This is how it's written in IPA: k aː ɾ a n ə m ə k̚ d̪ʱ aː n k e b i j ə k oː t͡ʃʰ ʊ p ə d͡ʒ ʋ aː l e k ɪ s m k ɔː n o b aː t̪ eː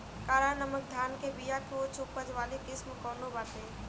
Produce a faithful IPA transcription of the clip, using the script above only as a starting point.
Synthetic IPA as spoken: k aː ɾ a n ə m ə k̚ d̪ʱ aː n k e b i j a k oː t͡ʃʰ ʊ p ə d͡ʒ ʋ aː l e k ɪ s m k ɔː n o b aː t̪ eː